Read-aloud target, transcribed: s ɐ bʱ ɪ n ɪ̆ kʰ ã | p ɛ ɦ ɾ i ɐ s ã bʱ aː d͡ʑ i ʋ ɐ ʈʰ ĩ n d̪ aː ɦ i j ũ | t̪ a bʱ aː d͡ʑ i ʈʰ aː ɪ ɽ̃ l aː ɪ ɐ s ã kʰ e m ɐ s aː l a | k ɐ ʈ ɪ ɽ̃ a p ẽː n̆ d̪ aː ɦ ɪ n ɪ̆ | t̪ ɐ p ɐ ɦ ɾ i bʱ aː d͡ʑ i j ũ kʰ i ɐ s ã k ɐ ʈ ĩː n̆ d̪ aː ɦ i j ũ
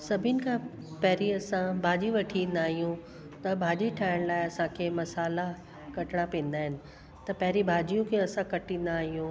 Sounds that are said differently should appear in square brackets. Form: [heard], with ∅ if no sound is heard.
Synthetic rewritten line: s ɐ bʱ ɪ n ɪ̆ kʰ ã | p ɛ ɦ ɾ i ɐ s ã bʱ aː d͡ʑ i ʋ ɐ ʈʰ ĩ n d̪ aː ɦ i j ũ | t̪ [ɐ] bʱ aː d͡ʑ i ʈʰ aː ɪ ɽ̃ l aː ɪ ɐ s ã kʰ e m ɐ s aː l a | k ɐ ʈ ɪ ɽ̃ a p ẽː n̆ d̪ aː ɦ ɪ n ɪ̆ | t̪ ɐ p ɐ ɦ ɾ i bʱ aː d͡ʑ i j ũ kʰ [e] ɐ s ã k ɐ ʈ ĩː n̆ d̪ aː ɦ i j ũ

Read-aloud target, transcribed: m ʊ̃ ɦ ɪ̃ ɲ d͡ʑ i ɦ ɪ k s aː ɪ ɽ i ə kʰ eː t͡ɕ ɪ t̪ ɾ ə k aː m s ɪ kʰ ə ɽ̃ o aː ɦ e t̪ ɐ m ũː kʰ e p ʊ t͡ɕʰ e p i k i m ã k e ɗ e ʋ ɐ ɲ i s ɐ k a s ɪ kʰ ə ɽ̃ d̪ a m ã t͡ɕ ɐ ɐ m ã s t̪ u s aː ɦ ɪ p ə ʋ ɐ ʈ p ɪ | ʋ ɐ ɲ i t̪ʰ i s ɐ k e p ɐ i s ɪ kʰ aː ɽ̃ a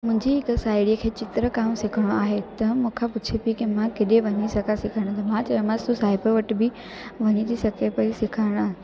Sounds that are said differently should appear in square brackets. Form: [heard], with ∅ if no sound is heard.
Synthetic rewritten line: m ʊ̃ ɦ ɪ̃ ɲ d͡ʑ i ɦ ɪ k s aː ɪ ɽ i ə kʰ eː t͡ɕ ɪ t̪ ɾ ə k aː m s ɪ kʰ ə ɽ̃ o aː ɦ e t̪ ɐ m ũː kʰ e p ʊ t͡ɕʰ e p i k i m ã k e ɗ e ʋ ɐ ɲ i s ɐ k a s ɪ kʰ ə ɽ̃ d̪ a m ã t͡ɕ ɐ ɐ m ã s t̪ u s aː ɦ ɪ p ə ʋ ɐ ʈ [b] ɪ | ʋ ɐ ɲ i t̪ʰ i s ɐ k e p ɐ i s ɪ kʰ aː ɽ̃ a

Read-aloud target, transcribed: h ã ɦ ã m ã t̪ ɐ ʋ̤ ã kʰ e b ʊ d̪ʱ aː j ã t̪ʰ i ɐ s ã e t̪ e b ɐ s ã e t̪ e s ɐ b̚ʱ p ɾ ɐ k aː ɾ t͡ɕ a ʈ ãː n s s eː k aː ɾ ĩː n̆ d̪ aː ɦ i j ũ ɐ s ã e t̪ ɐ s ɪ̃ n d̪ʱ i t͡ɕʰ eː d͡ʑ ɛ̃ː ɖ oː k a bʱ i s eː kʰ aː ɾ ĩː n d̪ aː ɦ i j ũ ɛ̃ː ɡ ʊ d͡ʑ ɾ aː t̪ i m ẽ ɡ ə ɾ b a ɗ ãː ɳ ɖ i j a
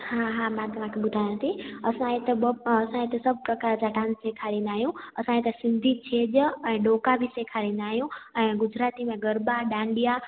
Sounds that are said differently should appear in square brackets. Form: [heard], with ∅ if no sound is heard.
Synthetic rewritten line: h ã ɦ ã m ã t̪ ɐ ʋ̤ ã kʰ e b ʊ d̪ʱ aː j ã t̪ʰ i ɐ s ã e t̪ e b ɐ s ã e t̪ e s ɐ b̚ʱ p ɾ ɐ k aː ɾ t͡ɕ a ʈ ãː n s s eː [kʰ] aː ɾ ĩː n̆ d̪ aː ɦ i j ũ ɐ s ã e t̪ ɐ s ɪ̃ n d̪ʱ i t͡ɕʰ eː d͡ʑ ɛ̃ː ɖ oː k a bʱ i s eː kʰ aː ɾ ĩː n d̪ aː ɦ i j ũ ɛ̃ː ɡ ʊ d͡ʑ ɾ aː t̪ i m ẽ ɡ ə ɾ b a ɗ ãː ɳ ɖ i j a

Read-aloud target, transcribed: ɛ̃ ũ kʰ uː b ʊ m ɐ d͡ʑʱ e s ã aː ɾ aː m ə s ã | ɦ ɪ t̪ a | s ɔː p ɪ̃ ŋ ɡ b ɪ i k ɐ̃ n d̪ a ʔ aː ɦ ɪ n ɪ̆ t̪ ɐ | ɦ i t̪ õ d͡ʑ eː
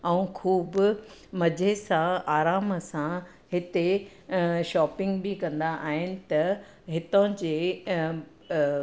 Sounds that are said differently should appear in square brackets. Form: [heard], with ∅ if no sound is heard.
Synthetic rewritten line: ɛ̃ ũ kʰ uː b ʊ m ɐ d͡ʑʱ e s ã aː ɾ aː m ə s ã | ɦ ɪ t̪ [e] | [ʃ] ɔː p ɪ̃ ŋ ɡ b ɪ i k ɐ̃ n d̪ a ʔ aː ɦ ɪ n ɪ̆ t̪ ɐ | ɦ [ɪ] t̪ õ d͡ʑ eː

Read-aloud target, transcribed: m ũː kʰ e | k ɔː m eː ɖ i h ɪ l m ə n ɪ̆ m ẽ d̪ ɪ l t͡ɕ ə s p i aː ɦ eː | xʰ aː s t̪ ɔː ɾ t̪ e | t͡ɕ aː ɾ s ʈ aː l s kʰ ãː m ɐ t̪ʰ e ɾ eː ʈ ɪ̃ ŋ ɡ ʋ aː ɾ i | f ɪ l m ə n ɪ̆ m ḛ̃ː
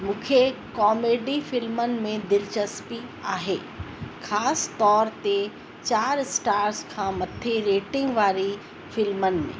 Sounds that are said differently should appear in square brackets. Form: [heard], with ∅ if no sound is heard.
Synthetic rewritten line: m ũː kʰ e | k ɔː m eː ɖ i [f] ɪ l m ə n ɪ̆ m ẽ d̪ ɪ l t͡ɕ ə s p i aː ɦ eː | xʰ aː s t̪ ɔː ɾ t̪ e | t͡ɕ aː ɾ s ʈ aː [ɾ] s kʰ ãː m ɐ t̪ʰ e ɾ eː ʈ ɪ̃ ŋ ɡ ʋ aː ɾ i | f ɪ l m ə n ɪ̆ m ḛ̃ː

